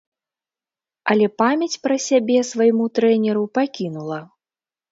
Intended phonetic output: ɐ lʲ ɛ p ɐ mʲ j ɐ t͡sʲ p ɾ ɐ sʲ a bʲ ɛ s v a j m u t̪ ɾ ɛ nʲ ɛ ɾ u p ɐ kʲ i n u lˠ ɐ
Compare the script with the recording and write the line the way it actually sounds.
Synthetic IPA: ɐ lʲ ɛ p a mʲ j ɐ t͡sʲ p ɾ ɐ sʲ a bʲ ɛ s v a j m u t̪ ɾ ɛ nʲ ɛ ɾ u p a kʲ i n u lˠ ɐ